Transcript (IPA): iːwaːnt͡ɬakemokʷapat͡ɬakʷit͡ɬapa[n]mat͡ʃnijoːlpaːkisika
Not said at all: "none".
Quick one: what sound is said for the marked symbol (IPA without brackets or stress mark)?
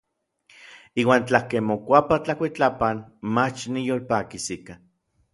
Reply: n